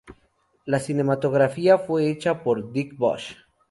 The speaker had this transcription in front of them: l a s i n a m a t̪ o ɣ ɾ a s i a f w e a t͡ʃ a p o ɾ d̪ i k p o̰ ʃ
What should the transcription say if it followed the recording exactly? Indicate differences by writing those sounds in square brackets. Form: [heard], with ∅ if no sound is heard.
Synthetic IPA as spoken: l a s i n [e] m a t̪ o ɣ ɾ a [f] i a f w e [e] t͡ʃ a p o ɾ d̪ i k [b] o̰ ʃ